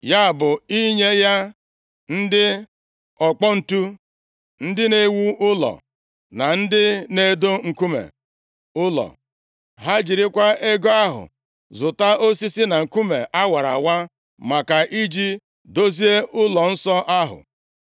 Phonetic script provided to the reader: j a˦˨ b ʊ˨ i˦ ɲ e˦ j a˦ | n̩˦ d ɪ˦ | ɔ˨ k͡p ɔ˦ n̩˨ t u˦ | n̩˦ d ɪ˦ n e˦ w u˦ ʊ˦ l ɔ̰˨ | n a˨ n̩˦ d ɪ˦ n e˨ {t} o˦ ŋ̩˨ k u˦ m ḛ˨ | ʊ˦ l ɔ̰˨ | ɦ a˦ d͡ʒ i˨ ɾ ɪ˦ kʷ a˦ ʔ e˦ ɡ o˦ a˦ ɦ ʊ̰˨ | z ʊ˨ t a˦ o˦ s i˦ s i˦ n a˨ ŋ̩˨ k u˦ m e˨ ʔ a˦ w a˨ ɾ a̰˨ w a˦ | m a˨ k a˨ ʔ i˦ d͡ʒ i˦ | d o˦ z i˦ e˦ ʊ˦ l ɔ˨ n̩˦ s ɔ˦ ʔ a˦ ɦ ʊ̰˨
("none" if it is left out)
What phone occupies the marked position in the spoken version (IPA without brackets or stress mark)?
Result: d